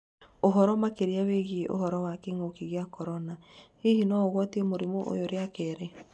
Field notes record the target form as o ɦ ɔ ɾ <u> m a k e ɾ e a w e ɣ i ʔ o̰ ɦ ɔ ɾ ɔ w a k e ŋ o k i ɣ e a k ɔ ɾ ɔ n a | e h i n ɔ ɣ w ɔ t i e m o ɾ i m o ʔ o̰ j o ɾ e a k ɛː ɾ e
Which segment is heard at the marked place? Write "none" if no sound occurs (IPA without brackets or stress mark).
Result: ɔ